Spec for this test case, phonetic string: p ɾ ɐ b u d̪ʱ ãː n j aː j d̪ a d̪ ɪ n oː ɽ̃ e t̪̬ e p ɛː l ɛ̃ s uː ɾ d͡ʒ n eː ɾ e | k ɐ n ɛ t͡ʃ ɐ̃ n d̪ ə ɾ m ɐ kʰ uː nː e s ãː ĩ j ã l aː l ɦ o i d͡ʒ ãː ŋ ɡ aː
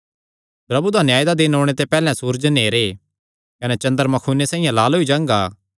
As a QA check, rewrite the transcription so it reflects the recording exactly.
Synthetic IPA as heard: p ɾ ɐ b u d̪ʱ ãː n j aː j d̪ a d̪ ɪ n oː ɽ̃ e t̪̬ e p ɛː l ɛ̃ s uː ɾ d͡ʒ n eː ɾ e | k ɐ n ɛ t͡ʃ ɐ̃ n d̪ ə ɾ m ɐ kʰ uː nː e s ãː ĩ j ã l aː l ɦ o i d͡ʒ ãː ŋ ɡ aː

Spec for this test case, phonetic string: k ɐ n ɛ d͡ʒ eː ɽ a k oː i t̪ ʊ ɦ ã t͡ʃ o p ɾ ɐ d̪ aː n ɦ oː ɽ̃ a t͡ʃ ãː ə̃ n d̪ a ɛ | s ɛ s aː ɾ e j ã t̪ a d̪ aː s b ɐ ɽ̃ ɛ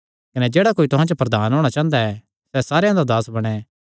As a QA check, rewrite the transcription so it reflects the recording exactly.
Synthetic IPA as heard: k ɐ n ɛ d͡ʒ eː ɽ a k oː i t̪ ʊ ɦ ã t͡ʃ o p ɾ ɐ d̪ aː n ɦ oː ɽ̃ a t͡ʃ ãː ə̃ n d̪ a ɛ | s ɛ s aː ɾ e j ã d̪ a d̪ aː s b ɐ ɽ̃ ɛ

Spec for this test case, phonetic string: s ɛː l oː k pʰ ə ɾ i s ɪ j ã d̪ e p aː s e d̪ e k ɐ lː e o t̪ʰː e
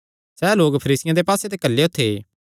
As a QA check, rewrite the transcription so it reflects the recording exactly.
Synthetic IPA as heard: s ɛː l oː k pʰ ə ɾ iː s ɪ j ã d̪ e p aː s e t̪ e k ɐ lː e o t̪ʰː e

